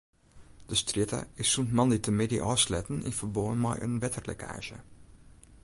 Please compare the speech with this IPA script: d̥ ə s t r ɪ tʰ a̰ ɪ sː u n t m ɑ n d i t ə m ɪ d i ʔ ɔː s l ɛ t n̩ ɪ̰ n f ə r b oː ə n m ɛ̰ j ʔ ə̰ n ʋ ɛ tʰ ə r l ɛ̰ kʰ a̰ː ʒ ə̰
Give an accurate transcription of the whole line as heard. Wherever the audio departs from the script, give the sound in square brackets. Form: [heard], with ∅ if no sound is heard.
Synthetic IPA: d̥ ə s t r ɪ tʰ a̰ ɪ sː u n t m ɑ n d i t ə m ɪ d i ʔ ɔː s l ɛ t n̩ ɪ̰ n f ə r b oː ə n m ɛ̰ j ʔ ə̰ n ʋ ɛ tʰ ə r l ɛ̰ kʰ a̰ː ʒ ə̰